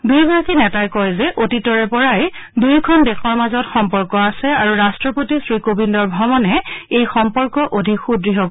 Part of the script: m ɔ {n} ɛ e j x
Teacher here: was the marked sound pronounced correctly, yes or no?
yes